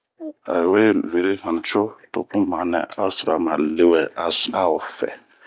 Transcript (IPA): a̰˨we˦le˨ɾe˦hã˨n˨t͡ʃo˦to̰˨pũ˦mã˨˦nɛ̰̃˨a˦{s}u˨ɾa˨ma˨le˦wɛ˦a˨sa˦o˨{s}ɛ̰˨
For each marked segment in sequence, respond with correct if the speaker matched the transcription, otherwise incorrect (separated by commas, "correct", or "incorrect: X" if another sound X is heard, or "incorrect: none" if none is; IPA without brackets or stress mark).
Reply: correct, incorrect: f